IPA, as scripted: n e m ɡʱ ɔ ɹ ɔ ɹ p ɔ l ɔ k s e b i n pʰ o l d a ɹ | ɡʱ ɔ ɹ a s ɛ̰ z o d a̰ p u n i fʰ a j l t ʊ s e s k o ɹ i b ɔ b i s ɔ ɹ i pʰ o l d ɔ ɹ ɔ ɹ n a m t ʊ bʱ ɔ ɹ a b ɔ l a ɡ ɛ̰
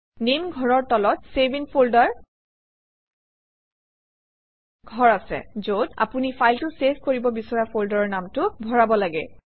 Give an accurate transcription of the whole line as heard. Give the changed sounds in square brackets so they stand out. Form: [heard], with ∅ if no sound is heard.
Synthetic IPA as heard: n e m ɡʱ ɔ ɹ ɔ ɹ [t] ɔ l ɔ [t] s e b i n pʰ o l d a ɹ | ɡʱ ɔ ɹ a s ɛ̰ z o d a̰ p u n i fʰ a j l t ʊ s e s k o ɹ i b ɔ b i s ɔ ɹ [a] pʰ o l d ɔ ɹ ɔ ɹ n a m t ʊ bʱ ɔ ɹ a b ɔ l a ɡ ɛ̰